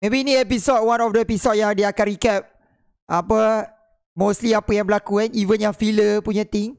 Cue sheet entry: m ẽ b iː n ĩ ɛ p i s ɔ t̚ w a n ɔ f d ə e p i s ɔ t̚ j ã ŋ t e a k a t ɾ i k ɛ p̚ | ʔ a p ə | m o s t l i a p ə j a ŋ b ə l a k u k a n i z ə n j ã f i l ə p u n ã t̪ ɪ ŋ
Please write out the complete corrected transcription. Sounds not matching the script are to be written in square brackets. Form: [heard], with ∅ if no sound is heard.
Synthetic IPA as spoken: m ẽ b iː n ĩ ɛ p i s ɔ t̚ w a n ɔ f d ə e p i s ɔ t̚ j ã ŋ [d] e a k a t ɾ i k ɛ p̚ | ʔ a p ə | m o s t l i a p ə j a ŋ b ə l a k u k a n i [v] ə n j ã f i l ə p u [ɲ] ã t̪ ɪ ŋ